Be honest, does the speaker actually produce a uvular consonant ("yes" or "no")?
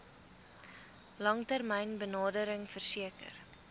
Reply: no